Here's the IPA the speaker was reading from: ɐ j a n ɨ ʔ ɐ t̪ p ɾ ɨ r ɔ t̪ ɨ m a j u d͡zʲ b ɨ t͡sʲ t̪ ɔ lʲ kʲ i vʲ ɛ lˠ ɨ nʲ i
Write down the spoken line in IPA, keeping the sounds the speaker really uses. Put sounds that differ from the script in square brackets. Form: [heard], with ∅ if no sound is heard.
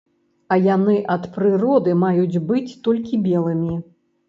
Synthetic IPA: ɐ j a n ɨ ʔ ɐ t̪ p ɾ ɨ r ɔ [d̪] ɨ m a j u d͡zʲ b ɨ t͡sʲ t̪ ɔ lʲ kʲ i [bʲ] ɛ lˠ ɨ [mʲ] i